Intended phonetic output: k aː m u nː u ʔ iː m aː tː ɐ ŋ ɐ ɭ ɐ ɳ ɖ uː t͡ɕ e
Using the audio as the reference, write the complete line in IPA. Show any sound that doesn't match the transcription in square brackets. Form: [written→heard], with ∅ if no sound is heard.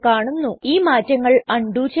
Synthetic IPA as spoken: k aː [m→ɳ] u nː u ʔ iː m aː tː ɐ [ŋ→ŋː] ɐ ɭ ɐ ɳ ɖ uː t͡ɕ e